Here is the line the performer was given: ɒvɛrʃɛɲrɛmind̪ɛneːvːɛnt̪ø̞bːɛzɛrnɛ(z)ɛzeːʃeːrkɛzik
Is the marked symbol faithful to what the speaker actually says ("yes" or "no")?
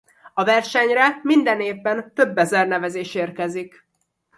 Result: no